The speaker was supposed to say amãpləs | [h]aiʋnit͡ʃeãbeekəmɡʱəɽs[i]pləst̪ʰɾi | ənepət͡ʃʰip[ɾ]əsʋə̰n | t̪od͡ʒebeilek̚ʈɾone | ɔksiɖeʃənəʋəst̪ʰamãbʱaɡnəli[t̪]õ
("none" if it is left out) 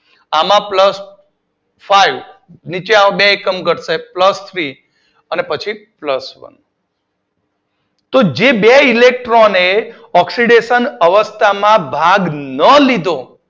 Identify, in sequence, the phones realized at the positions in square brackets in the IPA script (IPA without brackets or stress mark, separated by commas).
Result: f, e, l, d̪